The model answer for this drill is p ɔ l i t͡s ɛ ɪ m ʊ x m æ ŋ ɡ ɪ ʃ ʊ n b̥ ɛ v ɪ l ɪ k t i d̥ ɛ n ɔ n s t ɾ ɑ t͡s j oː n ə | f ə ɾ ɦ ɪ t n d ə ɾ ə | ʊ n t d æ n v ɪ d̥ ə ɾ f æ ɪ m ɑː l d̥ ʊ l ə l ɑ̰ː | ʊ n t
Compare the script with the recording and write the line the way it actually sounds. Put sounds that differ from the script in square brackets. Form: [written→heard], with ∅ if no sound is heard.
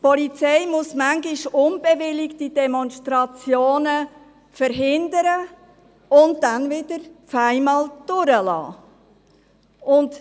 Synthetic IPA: p ɔ l i t͡s ɛ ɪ m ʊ [x→s] m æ ŋ ɡ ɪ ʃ ʊ n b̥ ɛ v ɪ l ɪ k t i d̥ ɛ [n→m] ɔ n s t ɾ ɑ t͡s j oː n ə | f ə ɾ ɦ ɪ [t→∅] n d ə ɾ ə | ʊ n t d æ n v ɪ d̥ ə ɾ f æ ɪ m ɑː l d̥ ʊ [l→ɾ] ə l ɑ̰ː | ʊ n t